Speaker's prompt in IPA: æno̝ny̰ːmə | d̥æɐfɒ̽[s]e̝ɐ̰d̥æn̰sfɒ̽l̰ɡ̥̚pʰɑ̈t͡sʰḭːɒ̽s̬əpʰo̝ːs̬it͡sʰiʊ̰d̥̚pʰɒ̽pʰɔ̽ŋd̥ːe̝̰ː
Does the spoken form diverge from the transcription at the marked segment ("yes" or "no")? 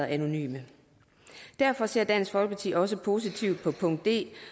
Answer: no